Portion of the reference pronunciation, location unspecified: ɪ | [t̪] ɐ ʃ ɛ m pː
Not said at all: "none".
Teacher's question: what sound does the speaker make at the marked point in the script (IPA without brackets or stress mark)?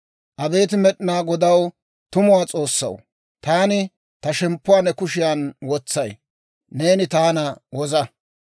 t̪